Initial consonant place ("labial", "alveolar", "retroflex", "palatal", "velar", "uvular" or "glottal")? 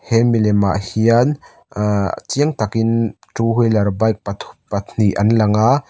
glottal